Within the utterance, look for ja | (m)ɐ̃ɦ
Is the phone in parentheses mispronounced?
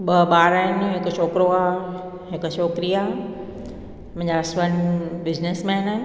no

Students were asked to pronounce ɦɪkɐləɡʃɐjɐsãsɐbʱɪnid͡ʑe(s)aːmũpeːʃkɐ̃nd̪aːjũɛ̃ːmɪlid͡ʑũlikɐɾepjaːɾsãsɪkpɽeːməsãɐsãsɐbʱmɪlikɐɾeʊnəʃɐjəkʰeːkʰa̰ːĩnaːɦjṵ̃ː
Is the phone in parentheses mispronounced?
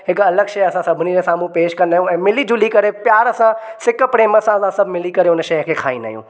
no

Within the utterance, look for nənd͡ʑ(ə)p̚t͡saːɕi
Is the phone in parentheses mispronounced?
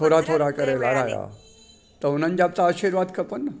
yes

